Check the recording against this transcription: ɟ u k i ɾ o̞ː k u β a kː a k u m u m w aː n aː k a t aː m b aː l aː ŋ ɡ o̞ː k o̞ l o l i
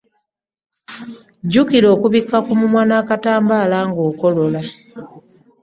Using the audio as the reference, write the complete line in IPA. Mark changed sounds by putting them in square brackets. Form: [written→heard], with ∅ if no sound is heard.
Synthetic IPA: ɟ u k i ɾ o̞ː k u β [a→i] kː a k u m u m w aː n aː k a t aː m b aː l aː ŋ ɡ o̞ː k o̞ l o l [i→a]